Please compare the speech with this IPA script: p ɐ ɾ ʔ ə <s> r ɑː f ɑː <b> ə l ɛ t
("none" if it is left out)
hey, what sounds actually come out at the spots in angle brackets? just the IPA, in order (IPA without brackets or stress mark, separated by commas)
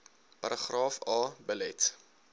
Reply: χ, b